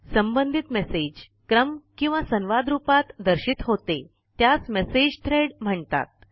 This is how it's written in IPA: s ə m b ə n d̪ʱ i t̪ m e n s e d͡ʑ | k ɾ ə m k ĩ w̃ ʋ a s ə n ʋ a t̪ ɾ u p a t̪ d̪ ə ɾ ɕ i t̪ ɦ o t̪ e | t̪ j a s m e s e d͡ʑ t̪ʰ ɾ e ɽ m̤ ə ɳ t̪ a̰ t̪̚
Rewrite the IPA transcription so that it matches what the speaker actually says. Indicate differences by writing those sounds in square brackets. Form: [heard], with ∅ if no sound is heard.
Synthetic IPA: s ə m b ə n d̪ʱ i t̪ m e [∅] s e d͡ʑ | k ɾ ə m k ĩ w̃ ʋ a s ə n ʋ a [d̪] ɾ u p a t̪ d̪ ə ɾ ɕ i t̪ ɦ o t̪ e | t̪ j a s m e s e d͡ʑ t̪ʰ ɾ e ɽ m̤ ə ɳ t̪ a̰ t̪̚